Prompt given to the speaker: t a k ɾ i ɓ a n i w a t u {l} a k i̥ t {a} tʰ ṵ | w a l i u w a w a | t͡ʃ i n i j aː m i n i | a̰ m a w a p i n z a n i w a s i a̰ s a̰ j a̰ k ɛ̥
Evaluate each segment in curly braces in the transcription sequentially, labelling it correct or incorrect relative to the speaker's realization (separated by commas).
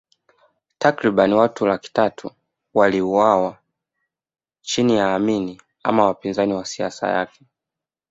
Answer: correct, correct